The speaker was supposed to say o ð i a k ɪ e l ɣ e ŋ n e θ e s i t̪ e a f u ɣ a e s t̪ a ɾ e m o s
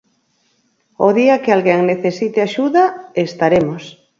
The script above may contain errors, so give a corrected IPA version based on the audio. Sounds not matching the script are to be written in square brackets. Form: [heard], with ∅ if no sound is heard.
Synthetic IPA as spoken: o ð i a k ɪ [a] l ɣ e ŋ n e θ e s i t̪ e a [ʃ] u [ð] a e s t̪ a ɾ e m o s